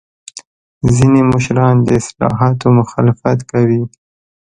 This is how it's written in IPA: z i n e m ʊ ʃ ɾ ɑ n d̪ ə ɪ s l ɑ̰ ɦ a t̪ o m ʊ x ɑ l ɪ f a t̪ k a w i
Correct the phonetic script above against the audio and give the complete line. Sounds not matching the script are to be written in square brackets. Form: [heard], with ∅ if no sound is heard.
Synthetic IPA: z i n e m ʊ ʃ ɾ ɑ n d̪ ə ɪ s l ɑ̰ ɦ [ɑ] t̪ o m ʊ x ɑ l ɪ f a t̪ k a w i